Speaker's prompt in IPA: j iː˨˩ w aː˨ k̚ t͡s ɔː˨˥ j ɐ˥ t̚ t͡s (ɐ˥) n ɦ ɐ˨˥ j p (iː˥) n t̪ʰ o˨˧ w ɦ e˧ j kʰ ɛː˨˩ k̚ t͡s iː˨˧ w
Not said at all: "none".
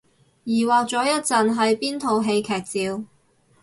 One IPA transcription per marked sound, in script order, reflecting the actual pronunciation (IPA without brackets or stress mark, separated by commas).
ɐ˨, iː˥